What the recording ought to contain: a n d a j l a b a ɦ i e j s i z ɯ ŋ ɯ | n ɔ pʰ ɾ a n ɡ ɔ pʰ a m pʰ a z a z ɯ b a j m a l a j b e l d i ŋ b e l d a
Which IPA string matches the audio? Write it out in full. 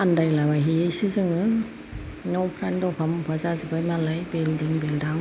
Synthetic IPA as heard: a n d a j l a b a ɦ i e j s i z ɯ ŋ ɯ | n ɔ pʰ ɾ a n d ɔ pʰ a m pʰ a z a z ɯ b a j m a l a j b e l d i ŋ b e l d a